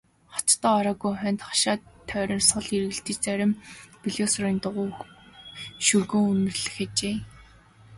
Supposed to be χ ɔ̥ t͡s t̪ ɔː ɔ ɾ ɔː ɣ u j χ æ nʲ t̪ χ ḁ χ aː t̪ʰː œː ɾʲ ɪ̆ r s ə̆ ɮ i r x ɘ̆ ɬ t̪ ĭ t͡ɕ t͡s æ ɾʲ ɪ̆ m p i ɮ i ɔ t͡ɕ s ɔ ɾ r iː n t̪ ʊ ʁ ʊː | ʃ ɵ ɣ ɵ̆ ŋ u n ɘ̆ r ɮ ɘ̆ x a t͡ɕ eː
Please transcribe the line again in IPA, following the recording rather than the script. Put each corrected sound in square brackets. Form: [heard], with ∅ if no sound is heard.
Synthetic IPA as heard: χ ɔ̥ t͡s t̪ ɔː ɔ ɾ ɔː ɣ u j χ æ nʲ t̪ χ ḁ [ʃ] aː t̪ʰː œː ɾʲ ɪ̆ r s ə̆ ɮ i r [ɣ] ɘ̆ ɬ t̪ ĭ t͡ɕ t͡s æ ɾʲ ɪ̆ m p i ɮ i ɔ [∅] s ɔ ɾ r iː n t̪ ʊ ʁ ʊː | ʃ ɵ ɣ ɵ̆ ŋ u n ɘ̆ r ɮ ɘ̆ x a t͡ɕ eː